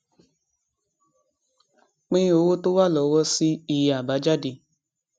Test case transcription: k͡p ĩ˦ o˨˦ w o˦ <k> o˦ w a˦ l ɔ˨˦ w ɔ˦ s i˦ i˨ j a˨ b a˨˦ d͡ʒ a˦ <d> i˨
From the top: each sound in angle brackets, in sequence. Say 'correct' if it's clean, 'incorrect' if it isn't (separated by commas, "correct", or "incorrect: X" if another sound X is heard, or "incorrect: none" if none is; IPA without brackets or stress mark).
incorrect: t, correct